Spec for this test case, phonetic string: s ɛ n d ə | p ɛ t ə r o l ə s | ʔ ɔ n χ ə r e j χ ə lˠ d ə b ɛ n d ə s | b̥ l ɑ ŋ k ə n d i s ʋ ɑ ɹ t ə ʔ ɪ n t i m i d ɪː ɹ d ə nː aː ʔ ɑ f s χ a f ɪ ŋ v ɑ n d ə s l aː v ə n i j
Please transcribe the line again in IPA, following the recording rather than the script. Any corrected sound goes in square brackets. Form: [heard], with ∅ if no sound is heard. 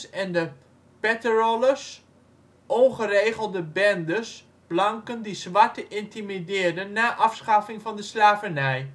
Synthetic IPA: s ɛ n d ə | p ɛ t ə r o l ə s | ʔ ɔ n χ ə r e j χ ə lˠ d ə b ɛ n d ə s | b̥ l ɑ ŋ k ə n d i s ʋ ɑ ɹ t ə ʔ ɪ n t i m i d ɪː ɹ d ə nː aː ʔ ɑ f s χ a f ɪ ŋ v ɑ n d ə s l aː v ə n [ɛ] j